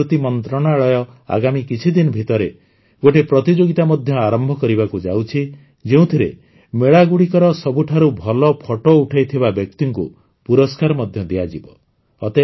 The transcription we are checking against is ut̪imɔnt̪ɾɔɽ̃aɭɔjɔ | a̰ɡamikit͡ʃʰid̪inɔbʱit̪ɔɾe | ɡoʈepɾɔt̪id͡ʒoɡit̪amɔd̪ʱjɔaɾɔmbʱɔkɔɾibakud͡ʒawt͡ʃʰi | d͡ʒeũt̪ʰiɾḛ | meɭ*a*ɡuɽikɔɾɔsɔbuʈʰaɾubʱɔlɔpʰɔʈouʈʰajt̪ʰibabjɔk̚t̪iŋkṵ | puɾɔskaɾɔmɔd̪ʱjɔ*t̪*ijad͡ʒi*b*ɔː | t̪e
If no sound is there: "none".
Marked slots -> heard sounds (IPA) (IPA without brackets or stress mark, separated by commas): a, d̪, b